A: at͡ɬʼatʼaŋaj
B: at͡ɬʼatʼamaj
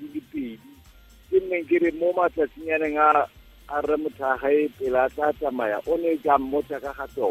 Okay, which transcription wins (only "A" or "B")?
B